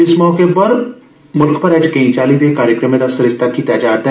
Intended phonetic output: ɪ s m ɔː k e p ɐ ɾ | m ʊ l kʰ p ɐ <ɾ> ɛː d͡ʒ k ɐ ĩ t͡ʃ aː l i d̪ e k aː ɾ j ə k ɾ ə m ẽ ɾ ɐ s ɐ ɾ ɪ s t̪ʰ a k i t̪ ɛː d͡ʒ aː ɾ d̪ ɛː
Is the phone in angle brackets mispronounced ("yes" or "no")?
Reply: no